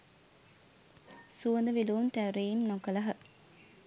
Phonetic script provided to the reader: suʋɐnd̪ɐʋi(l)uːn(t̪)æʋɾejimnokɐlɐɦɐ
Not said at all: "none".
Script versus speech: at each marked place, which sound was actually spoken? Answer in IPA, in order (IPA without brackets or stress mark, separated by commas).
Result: l, t̪